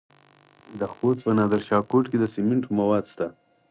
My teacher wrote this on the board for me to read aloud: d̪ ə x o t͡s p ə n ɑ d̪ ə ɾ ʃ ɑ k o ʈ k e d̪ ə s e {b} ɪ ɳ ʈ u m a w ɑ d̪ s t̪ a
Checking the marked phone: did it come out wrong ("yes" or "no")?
yes